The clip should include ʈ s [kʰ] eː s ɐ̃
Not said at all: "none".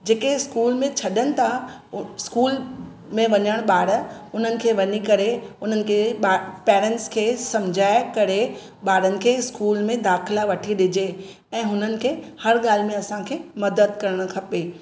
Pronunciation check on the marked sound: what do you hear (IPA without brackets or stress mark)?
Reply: kʰ